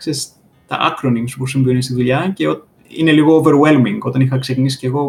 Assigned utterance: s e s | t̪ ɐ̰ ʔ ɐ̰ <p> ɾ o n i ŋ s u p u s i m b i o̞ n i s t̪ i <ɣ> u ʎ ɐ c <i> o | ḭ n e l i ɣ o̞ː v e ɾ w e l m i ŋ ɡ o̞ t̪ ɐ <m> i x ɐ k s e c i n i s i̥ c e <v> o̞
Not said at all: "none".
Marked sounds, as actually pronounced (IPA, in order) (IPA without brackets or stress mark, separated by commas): k, ð, e, n, ɣ